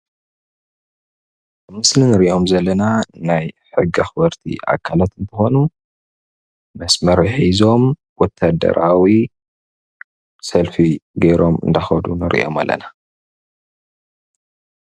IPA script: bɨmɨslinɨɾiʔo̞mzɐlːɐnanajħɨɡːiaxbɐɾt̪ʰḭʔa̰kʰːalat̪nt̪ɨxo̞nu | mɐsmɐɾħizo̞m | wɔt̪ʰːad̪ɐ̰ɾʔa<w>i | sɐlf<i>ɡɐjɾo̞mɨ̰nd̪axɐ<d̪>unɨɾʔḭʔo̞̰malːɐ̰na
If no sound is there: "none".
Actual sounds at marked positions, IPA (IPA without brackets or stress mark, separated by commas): w, i, d̪